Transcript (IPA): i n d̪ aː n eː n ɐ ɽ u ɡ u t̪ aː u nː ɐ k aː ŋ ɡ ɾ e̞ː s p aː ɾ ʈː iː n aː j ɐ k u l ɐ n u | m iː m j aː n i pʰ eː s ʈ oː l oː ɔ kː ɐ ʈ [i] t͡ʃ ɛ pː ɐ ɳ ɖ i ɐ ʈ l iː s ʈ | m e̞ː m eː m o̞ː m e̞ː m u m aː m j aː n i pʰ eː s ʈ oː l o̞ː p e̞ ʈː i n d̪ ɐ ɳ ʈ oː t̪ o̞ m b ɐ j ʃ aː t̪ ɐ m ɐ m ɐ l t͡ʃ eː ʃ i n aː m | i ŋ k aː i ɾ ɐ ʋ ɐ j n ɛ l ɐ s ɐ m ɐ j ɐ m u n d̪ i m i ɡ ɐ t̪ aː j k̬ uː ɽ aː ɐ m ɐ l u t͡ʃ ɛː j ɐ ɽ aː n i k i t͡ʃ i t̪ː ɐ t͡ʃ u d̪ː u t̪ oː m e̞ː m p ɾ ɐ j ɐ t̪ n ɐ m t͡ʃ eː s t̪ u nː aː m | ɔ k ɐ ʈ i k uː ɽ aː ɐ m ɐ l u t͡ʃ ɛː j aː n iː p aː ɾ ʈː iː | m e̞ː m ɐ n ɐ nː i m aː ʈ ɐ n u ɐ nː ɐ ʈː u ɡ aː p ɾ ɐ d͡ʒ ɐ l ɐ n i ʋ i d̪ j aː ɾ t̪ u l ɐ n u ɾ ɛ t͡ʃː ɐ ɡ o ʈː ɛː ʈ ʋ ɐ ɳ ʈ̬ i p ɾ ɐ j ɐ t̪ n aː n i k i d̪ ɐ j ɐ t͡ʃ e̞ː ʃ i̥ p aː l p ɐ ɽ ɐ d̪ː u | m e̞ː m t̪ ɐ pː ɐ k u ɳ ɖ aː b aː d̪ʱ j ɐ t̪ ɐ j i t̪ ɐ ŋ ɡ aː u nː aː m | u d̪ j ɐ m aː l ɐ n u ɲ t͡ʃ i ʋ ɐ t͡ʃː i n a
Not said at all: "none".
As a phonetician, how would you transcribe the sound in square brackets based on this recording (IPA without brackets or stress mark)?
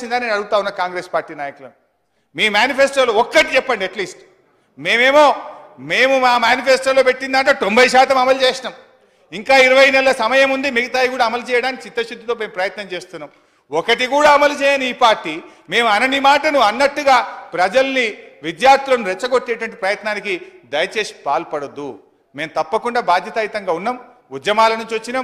i